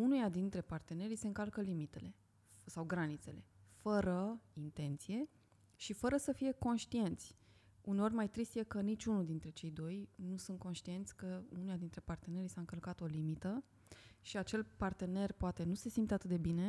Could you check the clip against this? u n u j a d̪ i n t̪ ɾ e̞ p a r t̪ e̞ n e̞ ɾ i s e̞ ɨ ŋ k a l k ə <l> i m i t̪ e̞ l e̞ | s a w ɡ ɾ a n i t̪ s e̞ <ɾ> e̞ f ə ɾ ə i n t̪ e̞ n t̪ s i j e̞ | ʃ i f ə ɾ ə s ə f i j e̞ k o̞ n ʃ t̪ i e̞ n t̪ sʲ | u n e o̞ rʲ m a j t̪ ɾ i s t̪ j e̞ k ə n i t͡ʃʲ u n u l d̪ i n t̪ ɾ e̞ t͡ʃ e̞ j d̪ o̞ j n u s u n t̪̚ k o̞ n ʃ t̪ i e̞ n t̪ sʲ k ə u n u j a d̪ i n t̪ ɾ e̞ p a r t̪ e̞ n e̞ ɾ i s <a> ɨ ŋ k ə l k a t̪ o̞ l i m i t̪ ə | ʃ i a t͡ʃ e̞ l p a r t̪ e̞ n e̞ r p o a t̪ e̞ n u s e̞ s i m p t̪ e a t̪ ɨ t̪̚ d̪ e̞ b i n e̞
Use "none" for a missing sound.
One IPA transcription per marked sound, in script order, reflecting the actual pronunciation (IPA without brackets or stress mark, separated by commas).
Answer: l, l, a